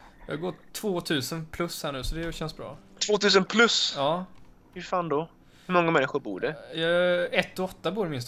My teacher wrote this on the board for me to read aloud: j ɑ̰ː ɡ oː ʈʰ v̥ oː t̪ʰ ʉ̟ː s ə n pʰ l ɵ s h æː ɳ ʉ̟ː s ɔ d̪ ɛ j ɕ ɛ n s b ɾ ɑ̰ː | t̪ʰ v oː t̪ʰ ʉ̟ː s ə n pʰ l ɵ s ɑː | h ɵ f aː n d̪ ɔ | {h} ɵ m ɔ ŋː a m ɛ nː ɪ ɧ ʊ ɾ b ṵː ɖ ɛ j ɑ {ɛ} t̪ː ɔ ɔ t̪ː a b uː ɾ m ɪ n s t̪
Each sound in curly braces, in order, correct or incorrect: correct, correct

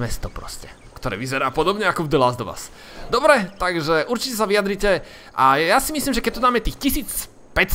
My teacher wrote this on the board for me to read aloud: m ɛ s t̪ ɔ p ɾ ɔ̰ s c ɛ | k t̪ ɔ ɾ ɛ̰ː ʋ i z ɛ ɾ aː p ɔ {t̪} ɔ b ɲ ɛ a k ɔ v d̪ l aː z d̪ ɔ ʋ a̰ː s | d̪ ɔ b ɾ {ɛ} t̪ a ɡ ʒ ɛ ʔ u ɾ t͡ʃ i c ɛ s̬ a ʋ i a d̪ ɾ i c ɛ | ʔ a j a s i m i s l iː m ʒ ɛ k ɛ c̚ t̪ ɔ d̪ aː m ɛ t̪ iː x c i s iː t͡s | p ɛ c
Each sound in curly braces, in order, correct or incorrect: incorrect, correct

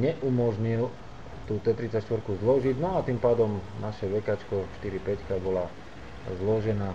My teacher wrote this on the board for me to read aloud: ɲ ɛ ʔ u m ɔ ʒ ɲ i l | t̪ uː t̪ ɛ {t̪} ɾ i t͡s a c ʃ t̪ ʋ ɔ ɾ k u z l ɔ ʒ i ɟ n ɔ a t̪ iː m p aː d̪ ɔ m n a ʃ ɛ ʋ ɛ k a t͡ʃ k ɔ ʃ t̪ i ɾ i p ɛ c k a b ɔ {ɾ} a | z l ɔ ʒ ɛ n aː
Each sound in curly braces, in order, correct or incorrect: correct, incorrect

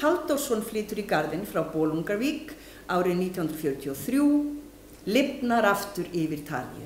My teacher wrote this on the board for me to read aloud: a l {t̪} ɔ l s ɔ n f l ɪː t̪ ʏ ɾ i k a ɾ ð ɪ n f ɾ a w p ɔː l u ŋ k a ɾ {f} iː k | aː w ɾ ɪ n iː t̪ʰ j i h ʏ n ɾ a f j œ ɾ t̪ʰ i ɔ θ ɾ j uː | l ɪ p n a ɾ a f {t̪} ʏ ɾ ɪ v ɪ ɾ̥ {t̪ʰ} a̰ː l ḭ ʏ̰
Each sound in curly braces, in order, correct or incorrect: correct, incorrect, correct, correct

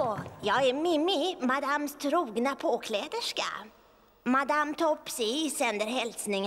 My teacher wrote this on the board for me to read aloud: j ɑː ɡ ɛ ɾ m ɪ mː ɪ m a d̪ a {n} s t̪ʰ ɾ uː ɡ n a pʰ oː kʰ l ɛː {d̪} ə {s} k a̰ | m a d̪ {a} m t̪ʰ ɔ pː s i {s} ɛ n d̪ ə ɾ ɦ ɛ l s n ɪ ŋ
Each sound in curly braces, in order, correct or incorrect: incorrect, correct, incorrect, correct, correct

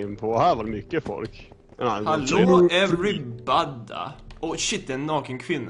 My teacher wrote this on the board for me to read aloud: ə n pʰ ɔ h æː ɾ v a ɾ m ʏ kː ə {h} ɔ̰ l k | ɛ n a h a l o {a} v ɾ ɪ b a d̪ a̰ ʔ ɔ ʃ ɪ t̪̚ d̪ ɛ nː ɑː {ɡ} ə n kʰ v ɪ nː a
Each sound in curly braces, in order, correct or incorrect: incorrect, incorrect, incorrect

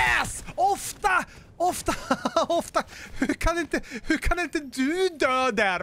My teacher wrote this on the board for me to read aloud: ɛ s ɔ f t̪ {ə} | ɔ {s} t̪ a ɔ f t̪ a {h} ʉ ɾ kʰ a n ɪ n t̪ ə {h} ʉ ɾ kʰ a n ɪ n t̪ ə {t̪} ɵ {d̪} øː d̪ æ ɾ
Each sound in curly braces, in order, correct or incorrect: incorrect, incorrect, correct, correct, incorrect, correct

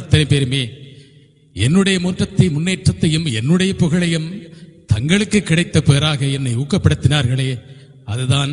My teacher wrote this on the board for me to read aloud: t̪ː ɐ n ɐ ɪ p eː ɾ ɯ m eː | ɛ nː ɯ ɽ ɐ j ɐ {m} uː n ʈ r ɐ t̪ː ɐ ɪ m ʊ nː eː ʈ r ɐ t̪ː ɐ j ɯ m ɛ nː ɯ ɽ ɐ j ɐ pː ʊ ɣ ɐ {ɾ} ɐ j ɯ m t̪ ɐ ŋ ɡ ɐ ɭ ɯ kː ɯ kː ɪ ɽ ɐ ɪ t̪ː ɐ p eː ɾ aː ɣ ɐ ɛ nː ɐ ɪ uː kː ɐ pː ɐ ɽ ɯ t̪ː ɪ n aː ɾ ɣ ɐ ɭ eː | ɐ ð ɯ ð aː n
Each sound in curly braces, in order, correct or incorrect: correct, incorrect

